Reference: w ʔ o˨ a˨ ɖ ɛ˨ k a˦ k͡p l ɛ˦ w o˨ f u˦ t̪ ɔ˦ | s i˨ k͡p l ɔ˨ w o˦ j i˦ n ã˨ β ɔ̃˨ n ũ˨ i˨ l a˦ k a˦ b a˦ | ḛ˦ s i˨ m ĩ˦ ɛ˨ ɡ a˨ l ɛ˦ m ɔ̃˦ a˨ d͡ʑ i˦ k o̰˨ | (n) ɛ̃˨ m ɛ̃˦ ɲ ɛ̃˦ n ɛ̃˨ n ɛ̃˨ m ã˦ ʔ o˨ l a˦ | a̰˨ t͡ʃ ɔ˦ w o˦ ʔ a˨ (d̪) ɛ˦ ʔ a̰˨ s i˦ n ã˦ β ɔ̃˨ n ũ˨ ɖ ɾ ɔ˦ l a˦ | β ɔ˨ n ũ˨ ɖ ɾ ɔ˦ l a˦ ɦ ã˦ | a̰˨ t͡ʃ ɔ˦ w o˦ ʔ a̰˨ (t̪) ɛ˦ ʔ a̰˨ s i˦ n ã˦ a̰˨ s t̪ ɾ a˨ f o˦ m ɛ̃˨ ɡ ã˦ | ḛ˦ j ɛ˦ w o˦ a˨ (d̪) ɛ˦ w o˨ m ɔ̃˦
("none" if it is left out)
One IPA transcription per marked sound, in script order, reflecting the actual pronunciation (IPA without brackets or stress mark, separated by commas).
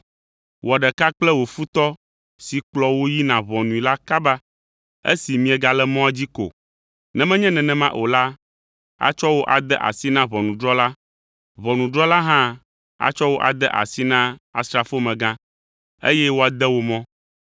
n, d̪, d̪, d̪